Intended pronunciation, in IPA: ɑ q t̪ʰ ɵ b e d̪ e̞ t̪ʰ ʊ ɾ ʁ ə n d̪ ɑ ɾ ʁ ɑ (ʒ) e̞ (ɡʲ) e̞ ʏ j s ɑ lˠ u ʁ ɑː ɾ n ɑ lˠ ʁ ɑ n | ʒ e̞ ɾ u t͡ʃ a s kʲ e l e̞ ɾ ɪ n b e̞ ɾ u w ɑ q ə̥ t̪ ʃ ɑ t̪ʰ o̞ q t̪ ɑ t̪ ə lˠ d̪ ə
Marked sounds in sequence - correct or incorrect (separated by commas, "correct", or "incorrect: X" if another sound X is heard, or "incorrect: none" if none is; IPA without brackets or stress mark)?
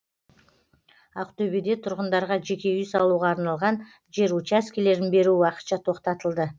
correct, incorrect: kʲ